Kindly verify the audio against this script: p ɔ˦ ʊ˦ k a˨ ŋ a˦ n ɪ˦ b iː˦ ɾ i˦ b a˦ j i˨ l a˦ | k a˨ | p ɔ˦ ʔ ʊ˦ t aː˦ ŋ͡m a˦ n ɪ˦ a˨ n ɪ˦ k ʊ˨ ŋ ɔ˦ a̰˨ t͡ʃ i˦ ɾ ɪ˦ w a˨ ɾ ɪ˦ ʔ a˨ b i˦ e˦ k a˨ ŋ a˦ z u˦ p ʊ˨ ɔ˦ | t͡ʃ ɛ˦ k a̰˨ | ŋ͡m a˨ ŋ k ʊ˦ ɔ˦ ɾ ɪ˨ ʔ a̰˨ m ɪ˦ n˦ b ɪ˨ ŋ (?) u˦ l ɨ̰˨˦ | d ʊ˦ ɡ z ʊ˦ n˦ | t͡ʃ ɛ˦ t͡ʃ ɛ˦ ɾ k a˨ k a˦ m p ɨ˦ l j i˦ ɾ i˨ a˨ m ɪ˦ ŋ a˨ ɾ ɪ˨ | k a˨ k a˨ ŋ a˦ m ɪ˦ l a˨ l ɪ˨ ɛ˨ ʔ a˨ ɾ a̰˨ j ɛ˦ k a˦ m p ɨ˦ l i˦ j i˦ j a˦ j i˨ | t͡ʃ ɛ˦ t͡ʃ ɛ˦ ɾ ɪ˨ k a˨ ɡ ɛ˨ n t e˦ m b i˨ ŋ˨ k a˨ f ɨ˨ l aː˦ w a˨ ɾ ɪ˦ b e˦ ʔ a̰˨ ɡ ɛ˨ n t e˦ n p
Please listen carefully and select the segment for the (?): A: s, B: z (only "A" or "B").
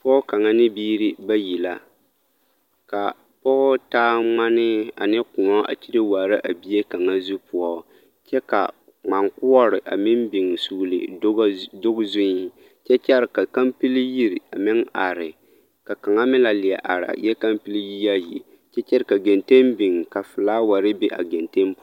A